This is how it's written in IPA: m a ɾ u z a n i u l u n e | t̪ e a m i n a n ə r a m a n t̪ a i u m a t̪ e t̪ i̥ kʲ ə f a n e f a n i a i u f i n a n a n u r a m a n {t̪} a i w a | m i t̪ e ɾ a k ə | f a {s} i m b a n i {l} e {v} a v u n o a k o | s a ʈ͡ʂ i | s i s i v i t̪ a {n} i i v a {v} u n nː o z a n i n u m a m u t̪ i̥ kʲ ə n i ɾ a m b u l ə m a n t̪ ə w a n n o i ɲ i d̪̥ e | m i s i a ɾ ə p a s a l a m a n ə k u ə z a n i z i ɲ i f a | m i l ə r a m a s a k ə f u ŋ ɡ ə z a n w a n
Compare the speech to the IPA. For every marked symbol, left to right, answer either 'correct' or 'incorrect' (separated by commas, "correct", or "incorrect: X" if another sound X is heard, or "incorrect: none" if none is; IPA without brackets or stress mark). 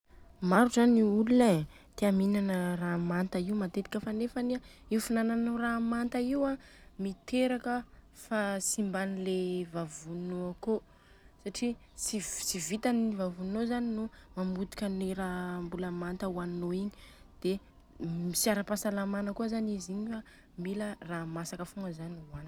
correct, correct, correct, correct, correct, correct